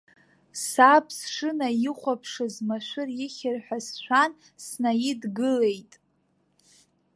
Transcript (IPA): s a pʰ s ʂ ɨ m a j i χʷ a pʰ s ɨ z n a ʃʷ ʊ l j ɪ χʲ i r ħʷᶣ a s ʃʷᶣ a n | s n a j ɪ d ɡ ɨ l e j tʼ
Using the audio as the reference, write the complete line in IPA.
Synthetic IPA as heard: s a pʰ s ʂ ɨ n a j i χʷ a pʰ ʂ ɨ z m a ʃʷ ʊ r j ɪ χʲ ɪ r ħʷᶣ a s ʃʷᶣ a n | s n a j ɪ d ɡ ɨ l e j tʼ